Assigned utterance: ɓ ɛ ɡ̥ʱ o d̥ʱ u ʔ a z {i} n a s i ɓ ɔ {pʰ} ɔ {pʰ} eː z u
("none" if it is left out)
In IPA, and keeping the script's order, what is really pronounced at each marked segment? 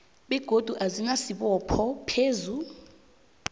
i, pʰ, pʰ

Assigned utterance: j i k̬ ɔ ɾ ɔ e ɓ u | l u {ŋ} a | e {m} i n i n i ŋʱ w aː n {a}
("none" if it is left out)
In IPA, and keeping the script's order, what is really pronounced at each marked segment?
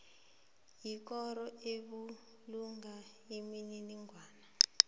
ŋ, m, a

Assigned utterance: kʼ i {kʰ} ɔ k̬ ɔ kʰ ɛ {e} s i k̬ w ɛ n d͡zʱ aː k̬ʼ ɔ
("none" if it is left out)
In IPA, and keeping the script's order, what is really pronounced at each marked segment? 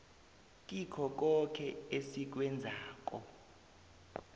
kʰ, e

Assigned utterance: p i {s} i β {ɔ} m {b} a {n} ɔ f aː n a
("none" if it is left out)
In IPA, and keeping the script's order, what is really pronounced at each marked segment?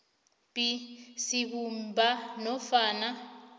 s, u, b, n

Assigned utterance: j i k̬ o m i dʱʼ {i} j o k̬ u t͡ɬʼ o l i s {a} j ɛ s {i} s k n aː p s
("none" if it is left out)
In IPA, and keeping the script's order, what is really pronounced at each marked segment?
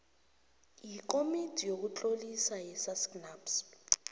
i, a, a

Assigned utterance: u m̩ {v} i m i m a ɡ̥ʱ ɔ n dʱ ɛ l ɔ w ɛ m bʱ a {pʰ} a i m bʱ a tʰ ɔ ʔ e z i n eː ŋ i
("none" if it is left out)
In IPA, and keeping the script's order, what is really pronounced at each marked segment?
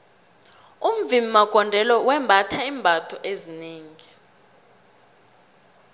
v, tʰ

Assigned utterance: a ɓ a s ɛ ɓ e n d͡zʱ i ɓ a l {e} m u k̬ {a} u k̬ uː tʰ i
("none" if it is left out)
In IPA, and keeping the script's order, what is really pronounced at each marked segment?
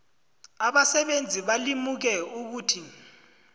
i, ɛ

